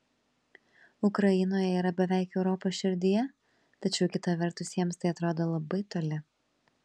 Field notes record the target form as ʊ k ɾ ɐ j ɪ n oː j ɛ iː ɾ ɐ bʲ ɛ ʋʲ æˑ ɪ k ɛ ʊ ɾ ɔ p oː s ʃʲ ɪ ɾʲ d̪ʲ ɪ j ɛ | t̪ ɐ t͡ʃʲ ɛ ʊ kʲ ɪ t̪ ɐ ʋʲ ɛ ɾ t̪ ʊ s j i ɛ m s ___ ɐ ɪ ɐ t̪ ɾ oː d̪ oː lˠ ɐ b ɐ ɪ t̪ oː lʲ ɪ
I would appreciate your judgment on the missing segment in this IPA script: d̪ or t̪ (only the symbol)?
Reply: t̪